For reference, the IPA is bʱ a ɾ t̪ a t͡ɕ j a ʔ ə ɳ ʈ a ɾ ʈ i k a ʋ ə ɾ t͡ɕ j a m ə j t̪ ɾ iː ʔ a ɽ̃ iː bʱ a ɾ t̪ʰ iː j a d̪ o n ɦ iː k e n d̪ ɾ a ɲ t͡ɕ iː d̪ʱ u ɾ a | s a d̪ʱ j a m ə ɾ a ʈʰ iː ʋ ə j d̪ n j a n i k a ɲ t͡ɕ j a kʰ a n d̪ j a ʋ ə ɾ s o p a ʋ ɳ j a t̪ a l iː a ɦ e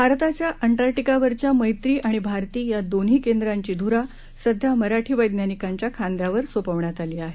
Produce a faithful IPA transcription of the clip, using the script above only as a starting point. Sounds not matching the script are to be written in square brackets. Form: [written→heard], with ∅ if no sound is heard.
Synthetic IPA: bʱ a ɾ t̪ a t͡ɕ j a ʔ ə ɳ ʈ a ɾ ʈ i k a ʋ ə ɾ t͡ɕ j a m ə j t̪ ɾ iː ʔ a ɽ̃ [iː→i] bʱ a ɾ [t̪ʰ→t̪] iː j a d̪ o n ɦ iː k e n d̪ ɾ a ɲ t͡ɕ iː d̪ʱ u ɾ a | s [a→ə] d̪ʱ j a m ə ɾ a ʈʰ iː ʋ ə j d̪ n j a n i k a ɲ t͡ɕ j a kʰ a n d̪ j a ʋ ə ɾ s o p [a→ə] ʋ ɳ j a t̪ a l iː a ɦ e

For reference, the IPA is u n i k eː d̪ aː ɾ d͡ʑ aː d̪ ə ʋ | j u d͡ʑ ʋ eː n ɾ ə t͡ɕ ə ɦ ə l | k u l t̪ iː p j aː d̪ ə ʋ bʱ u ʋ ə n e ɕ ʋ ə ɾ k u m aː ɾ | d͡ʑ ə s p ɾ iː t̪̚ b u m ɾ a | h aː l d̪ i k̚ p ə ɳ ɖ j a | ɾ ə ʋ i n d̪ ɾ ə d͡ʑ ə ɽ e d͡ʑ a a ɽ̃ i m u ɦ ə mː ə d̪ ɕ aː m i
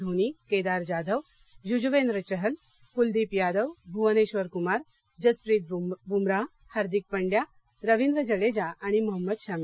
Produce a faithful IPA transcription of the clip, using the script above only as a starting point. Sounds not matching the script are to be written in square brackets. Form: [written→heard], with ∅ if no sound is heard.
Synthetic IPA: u n i k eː d̪ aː ɾ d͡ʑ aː d̪ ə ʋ | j u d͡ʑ ʋ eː n ɾ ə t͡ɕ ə ɦ ə l | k u l [t̪→d̪] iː p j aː d̪ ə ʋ bʱ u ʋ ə n e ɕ ʋ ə ɾ k u m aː ɾ | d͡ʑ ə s p ɾ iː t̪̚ b u m ɾ a | h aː [l→ɾ] d̪ i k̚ p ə ɳ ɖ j a | ɾ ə ʋ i n d̪ ɾ ə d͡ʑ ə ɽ e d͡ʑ a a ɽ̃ i m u ɦ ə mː ə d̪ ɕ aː m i

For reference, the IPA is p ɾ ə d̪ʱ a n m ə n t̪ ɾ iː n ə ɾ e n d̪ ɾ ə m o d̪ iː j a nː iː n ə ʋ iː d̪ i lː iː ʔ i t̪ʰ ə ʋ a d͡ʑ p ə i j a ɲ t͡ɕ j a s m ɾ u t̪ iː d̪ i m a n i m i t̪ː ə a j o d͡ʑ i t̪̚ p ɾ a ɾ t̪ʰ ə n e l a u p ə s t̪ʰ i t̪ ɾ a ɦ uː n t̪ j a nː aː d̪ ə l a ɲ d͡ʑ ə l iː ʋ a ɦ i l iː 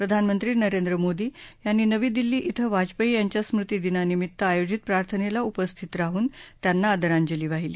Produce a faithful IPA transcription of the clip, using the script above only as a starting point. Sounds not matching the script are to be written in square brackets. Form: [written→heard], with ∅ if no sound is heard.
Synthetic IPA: p ɾ ə d̪ʱ a n m ə n t̪ ɾ iː n ə ɾ e n d̪ ɾ ə m o d̪ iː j a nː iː n ə ʋ iː d̪ i lː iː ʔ i t̪ʰ ə ʋ a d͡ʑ p ə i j a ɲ t͡ɕ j a s m ɾ u t̪ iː d̪ i [m→n] a n i m i t̪ː ə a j o d͡ʑ i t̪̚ p ɾ a ɾ t̪ʰ ə n e l a u p ə s t̪ʰ i t̪ ɾ a ɦ uː n t̪ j a nː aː d̪ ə [l→ɾ] a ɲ d͡ʑ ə l iː ʋ a ɦ i l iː

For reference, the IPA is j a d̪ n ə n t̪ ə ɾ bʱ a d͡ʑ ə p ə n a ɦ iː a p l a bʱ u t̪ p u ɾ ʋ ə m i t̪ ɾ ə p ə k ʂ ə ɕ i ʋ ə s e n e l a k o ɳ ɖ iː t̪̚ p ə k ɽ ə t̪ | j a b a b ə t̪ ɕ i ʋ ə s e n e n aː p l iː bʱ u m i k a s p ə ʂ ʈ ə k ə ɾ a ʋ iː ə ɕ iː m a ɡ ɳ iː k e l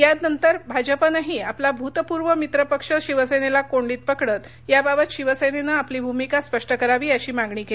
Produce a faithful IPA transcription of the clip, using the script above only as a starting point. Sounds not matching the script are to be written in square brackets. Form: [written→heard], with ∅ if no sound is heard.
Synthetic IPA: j a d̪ n ə n t̪ ə ɾ bʱ a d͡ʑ ə p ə n a ɦ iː a p l a bʱ u t̪ p u ɾ ʋ ə m i t̪ ɾ ə p ə k ʂ ə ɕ i ʋ ə s e n e l a k o ɳ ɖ iː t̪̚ p ə k ɽ ə t̪ | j a b a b ə t̪ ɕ i ʋ ə s e n e n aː p l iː bʱ u m i k a s p ə ʂ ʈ ə k ə ɾ a ʋ iː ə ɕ iː m a ɡ ɳ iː k e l

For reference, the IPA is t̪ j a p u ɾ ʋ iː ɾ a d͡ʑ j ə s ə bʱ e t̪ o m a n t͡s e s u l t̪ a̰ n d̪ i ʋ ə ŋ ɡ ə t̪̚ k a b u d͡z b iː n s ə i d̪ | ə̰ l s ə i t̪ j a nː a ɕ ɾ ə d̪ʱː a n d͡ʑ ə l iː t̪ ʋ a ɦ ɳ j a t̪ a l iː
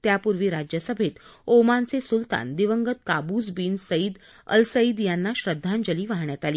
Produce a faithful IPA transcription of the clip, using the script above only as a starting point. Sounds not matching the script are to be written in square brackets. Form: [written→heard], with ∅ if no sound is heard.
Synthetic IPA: t̪ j a p u ɾ ʋ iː ɾ a d͡ʑ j ə s ə bʱ e t̪ o m a n t͡s e s u l t̪ a̰ n d̪ i ʋ ə ŋ ɡ ə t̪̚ k a b u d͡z b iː n s ə i d̪ | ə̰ l s ə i [t̪→d̪] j a nː a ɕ ɾ ə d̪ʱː a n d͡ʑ ə l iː [t̪→∅] ʋ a ɦ ɳ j a t̪ a l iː

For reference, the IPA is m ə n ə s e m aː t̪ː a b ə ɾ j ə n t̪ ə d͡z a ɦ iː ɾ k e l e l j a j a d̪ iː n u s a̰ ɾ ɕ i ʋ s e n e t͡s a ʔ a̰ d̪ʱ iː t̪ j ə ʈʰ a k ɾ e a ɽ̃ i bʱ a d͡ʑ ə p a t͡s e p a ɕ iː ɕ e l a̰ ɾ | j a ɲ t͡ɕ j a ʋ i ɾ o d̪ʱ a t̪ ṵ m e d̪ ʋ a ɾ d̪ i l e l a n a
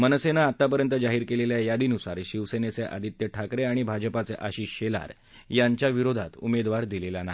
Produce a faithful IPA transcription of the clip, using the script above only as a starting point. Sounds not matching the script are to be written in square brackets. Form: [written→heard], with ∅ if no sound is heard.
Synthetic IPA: m ə n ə s e [m→n] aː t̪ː a [b→p] ə ɾ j ə n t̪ ə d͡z a ɦ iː ɾ k e l e l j a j a d̪ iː n u s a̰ ɾ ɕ i ʋ s e n e t͡s [a→e] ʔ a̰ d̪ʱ [iː→i] t̪ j ə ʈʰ a k ɾ e a ɽ̃ i bʱ a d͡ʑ ə p a t͡s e [p→ʔ] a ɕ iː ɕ e l a̰ ɾ | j a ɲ t͡ɕ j a ʋ i ɾ o d̪ʱ a t̪ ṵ m e d̪ ʋ a ɾ d̪ i l e l a n a

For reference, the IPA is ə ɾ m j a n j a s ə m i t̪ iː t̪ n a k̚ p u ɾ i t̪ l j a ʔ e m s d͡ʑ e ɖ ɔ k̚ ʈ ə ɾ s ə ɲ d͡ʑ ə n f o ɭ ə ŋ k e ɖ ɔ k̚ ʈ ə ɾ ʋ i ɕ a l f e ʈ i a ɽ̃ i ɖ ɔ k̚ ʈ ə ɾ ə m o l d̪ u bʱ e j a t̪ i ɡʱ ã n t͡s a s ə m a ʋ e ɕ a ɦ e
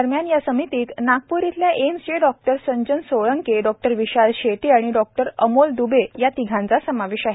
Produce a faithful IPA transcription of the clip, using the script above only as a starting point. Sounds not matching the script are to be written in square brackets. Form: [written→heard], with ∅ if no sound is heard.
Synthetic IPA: ə ɾ m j a n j a s ə m i t̪ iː t̪ n a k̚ p u ɾ i t̪ l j a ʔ e m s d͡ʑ e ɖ ɔ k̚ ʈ ə ɾ s ə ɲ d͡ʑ ə n [f→s] o ɭ ə ŋ k e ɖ ɔ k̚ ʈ ə ɾ ʋ i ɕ a l [f→ɕ] e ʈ i a ɽ̃ i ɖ ɔ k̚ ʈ ə ɾ ə m o l d̪ u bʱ e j a t̪ i ɡʱ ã n t͡s a s ə m a ʋ e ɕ a ɦ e

